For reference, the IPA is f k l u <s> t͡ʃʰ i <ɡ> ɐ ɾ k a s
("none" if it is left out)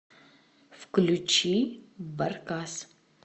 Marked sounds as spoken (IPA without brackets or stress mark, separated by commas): none, b